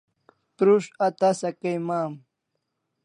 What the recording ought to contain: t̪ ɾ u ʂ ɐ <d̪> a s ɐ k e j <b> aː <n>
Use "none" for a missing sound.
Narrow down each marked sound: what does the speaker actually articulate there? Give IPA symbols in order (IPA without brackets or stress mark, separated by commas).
t̪, m, m